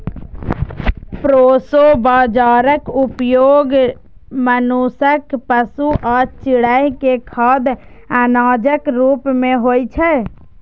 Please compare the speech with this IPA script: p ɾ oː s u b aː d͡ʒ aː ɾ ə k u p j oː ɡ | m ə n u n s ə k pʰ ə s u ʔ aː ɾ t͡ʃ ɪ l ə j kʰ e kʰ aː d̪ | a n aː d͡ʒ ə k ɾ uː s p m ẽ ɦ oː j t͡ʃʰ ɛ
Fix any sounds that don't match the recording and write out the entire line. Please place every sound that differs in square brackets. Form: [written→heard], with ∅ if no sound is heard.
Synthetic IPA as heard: p ɾ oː s [u→o] b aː d͡ʒ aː ɾ ə k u p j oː ɡ | m ə n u [n→∅] s ə k [pʰ→p] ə s u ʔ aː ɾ t͡ʃ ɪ [l→ɽ] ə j [kʰ→k] e kʰ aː d̪ | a n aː d͡ʒ ə k ɾ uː [s→∅] p m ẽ ɦ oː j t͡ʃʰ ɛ